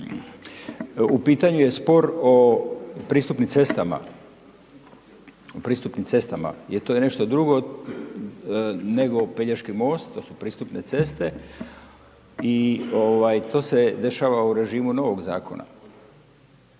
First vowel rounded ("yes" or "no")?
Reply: yes